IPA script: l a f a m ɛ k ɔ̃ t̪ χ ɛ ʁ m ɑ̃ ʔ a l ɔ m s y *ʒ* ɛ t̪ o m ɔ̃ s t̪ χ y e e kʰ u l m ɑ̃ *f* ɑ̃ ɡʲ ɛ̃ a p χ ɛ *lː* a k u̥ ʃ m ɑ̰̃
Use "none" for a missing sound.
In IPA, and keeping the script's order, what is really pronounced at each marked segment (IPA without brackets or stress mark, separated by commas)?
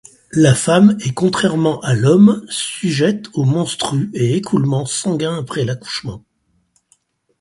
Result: ʒ, s, l